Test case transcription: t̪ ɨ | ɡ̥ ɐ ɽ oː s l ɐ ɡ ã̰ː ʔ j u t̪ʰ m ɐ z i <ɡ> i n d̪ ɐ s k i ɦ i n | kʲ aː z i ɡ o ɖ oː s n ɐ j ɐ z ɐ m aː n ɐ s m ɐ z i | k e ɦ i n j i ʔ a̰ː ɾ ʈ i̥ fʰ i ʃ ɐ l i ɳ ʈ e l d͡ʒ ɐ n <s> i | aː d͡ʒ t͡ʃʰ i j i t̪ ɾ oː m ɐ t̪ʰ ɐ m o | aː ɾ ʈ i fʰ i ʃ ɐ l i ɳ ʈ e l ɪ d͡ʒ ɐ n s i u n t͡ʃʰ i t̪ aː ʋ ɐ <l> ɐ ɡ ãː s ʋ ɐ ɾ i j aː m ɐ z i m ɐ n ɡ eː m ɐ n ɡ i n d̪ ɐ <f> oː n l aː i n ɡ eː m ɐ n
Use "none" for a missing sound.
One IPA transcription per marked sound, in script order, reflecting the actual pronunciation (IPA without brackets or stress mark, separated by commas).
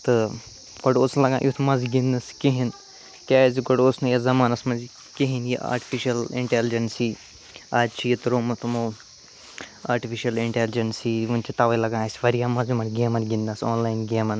ɡ, s, l, s